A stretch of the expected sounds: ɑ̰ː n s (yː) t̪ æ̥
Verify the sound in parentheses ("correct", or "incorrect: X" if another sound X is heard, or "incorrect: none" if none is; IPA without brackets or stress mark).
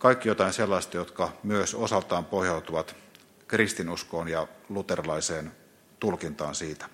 incorrect: iː